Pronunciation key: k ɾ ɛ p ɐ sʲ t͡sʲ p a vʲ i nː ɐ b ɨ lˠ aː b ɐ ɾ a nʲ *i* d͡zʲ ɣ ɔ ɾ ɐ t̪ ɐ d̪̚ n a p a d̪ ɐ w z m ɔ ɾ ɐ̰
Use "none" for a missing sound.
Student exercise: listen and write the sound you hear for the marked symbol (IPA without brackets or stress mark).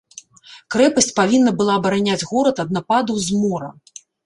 a